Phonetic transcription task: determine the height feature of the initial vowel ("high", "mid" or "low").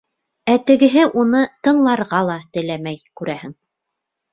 low